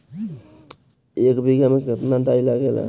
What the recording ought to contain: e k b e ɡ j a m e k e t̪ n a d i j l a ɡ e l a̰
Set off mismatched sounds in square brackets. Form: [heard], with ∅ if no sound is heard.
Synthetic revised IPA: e k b [i] ɡ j a m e k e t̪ n a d [a] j l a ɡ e l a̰